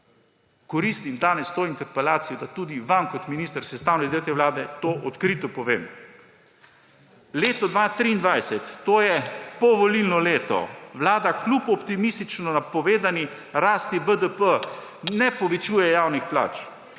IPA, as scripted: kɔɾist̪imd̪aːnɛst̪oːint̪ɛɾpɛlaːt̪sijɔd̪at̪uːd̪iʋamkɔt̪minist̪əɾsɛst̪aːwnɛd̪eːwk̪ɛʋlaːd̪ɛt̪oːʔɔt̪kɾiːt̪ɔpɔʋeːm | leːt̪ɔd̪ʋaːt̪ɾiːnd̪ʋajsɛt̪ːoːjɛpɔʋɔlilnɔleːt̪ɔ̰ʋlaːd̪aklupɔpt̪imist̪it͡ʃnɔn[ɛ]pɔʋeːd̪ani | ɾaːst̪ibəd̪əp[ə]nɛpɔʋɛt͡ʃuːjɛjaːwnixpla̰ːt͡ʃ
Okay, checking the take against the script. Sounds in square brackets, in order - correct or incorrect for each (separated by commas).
incorrect, correct